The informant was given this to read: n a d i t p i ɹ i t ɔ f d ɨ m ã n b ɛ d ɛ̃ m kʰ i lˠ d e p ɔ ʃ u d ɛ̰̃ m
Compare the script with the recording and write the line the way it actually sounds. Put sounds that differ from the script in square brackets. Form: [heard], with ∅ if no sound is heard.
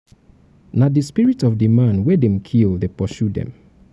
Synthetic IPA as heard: n a d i [s] p i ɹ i t ɔ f d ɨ m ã n [w] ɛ d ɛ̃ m kʰ i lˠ d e p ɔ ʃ u d ɛ̰̃ m